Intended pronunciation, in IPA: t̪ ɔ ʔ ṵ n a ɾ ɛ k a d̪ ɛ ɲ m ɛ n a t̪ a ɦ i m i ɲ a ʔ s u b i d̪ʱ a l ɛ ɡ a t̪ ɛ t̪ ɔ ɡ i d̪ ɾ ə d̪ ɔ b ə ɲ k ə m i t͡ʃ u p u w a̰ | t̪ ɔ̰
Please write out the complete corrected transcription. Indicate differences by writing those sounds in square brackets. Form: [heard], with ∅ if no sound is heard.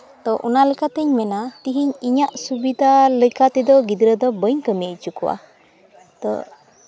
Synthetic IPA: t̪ ɔ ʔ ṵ n a [l] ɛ k a [t̪] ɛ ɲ m ɛ n a t̪ [i] ɦ i [ɲ] i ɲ a ʔ s u b i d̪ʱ a l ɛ [k] a t̪ ɛ [d̪] ɔ ɡ i d̪ ɾ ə d̪ ɔ b ə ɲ k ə m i t͡ʃ u [k] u w a̰ | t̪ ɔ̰